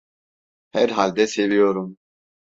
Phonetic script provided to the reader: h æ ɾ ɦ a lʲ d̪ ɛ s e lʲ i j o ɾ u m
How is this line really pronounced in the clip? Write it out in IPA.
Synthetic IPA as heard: h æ ɾ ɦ a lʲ d̪ ɛ s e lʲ i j o ɾ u m